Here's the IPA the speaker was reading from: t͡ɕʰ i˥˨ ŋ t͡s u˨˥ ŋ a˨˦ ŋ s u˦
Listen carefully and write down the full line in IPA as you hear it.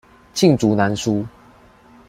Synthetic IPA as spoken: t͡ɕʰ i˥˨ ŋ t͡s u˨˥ n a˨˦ n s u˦

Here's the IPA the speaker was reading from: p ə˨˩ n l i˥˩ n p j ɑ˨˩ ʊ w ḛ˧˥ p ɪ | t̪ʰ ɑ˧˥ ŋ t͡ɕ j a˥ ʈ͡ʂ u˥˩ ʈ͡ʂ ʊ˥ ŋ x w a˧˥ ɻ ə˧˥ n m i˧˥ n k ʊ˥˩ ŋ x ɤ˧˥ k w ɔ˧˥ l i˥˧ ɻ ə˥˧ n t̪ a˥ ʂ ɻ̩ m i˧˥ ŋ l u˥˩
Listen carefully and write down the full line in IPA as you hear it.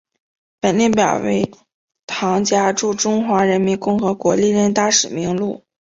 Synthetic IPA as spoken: p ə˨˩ n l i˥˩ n p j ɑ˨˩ ʊ w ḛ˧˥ ɪ | t̪ʰ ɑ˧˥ ŋ t͡ɕ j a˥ ʈ͡ʂ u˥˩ ʈ͡ʂ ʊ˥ ŋ x w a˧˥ ɻ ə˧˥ n m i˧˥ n k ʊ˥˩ ŋ x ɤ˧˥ k w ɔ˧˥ l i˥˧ ɻ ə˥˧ n t̪ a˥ ʂ ɻ̩ m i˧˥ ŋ l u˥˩

